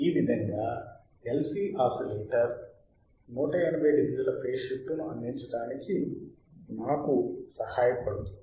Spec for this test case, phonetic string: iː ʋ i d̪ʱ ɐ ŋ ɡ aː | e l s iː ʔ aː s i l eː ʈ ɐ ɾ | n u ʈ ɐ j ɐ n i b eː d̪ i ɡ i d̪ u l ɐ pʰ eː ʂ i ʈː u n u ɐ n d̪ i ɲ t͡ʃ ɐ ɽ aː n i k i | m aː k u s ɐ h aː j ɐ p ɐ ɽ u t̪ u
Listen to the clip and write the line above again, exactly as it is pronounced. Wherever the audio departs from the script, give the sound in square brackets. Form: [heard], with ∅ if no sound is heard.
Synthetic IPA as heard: iː ʋ i d̪ʱ ɐ ŋ ɡ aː | e l s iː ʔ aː s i l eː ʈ ɐ ɾ | n [uː] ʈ ɐ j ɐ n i b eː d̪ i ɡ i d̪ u l ɐ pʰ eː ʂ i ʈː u n u ɐ n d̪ i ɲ t͡ʃ ɐ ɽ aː n i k i | m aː k u s ɐ h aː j ɐ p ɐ ɽ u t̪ u